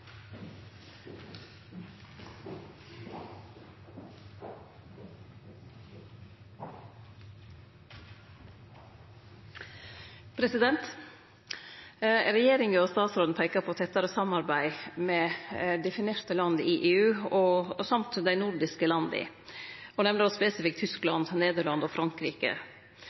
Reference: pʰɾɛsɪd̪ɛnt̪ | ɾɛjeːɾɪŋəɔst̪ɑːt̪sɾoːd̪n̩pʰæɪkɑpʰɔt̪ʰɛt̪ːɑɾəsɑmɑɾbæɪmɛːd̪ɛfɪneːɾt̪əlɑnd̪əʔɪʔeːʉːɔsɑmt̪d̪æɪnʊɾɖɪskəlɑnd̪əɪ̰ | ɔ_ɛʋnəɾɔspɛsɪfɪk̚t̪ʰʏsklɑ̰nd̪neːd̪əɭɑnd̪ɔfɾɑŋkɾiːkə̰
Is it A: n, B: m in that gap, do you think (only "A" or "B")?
A